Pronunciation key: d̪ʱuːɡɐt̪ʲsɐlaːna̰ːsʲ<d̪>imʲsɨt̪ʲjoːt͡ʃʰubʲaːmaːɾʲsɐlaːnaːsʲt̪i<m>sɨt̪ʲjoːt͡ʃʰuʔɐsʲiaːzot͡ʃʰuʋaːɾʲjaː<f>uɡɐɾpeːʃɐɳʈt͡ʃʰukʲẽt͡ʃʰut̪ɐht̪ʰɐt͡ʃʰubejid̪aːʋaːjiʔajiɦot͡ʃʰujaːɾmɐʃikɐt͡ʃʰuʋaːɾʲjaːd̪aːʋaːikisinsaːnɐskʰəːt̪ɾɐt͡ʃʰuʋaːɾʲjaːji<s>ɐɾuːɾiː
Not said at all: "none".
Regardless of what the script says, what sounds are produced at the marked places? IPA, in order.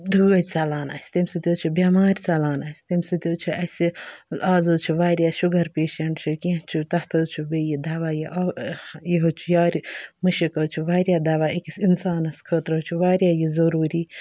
t̪, m, ʃ, z

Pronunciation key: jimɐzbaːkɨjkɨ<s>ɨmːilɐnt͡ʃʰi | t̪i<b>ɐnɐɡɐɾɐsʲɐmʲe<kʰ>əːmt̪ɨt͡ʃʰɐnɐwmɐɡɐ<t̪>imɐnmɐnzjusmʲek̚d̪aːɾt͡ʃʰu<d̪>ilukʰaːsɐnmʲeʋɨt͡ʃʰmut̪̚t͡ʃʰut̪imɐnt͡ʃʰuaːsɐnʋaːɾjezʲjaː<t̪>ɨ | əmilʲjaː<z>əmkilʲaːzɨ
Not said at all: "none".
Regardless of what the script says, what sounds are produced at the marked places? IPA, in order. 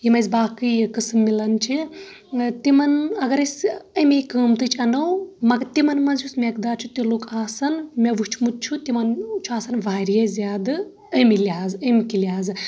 s, m, k, t̪, t̪, d̪, z

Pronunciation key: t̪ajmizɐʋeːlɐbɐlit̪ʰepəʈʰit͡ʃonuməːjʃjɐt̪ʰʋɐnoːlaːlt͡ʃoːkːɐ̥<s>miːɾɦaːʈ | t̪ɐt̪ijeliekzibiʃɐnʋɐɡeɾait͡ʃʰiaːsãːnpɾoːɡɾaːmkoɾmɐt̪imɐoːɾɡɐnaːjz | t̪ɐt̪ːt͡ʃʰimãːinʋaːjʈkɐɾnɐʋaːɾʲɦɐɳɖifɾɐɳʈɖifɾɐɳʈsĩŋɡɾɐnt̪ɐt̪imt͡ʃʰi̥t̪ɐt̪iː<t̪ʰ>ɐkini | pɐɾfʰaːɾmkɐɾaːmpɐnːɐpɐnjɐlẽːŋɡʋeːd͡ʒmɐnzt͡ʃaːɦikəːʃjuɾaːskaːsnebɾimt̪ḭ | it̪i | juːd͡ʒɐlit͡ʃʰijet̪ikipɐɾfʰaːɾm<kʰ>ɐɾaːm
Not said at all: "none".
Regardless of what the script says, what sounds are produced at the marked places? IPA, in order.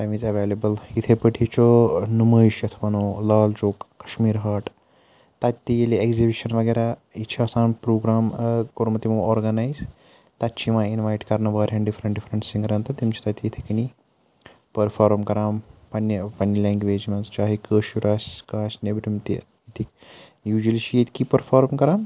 ʃ, t̪ʰ, k

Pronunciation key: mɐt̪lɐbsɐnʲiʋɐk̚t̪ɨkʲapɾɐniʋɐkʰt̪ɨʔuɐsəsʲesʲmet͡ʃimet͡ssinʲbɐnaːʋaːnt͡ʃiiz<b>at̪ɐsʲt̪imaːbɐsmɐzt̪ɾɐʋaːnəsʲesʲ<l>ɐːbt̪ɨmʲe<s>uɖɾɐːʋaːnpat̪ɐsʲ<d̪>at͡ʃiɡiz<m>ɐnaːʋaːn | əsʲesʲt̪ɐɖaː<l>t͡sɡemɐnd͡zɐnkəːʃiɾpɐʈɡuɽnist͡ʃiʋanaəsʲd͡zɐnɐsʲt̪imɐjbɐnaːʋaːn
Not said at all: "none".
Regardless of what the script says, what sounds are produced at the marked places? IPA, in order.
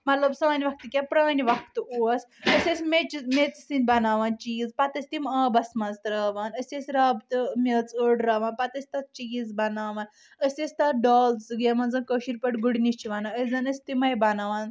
p, ɾ, t͡s, t̪, b, l

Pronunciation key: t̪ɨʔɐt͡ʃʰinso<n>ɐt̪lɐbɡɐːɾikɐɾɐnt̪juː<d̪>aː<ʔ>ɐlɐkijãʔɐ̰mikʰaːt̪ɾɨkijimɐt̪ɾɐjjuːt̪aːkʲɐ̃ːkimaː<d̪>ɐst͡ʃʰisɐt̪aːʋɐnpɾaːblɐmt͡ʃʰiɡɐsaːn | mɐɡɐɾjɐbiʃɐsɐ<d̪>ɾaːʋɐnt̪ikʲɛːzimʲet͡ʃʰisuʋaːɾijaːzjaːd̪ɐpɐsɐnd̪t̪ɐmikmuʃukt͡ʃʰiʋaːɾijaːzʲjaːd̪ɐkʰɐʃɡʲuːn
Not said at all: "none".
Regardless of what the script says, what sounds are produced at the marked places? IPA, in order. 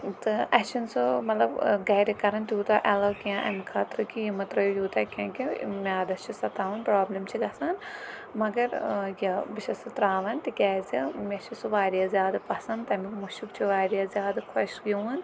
m, t̪, ʔ, d̪, t̪

